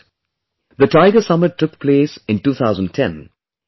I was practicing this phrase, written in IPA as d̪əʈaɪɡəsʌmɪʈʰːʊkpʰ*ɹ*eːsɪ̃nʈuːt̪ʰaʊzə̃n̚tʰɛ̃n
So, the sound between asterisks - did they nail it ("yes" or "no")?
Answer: no